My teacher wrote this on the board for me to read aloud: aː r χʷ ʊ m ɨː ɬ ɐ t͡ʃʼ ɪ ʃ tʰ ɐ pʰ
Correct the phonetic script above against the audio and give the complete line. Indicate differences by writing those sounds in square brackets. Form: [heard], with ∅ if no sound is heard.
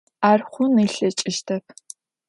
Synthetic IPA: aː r χʷ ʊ [n] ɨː ɬ ɐ t͡ʃʼ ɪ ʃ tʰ ɐ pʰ